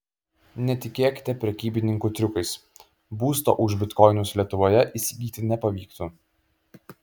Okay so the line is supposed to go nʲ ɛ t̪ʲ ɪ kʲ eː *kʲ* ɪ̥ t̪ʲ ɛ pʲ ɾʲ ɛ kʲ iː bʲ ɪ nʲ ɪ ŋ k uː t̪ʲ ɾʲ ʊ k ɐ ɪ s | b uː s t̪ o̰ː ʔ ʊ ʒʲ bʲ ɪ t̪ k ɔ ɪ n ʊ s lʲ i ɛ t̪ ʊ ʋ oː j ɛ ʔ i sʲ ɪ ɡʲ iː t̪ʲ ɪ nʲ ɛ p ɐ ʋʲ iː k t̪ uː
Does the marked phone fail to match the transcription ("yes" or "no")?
no